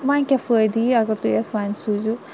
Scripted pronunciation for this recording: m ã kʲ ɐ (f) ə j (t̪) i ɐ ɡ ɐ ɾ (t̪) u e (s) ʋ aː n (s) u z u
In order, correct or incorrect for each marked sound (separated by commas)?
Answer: correct, incorrect, correct, correct, correct